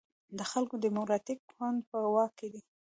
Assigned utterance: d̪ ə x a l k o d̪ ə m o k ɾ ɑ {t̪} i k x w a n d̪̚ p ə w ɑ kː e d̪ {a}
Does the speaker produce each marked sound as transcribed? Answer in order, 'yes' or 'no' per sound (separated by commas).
yes, no